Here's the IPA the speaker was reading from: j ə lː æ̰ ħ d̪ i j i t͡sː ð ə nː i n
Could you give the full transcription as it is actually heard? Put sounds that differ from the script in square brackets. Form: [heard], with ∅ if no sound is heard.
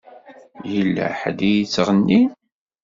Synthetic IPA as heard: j ə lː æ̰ ħ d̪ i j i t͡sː [ʁ] ə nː i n